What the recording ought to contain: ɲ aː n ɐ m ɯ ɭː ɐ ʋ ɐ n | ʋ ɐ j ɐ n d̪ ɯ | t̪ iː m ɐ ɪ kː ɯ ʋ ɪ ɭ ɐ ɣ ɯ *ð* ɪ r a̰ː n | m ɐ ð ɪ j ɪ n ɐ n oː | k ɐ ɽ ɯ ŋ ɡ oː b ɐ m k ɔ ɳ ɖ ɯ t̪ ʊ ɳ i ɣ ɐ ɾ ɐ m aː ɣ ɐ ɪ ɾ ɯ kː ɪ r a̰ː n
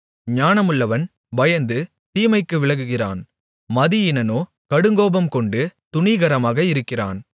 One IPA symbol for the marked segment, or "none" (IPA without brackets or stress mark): ɣ